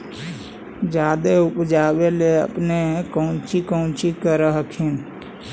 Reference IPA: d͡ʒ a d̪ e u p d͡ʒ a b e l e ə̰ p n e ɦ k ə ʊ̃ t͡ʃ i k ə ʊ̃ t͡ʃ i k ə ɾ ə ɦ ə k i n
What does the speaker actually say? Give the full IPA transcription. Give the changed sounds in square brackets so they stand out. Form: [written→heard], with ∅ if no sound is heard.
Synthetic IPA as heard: d͡ʒ a d̪ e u p d͡ʒ a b e l e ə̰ p n e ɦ k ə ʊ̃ t͡ʃ i k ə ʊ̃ t͡ʃ i k ə ɾ ə ɦ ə [k→kʰ] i n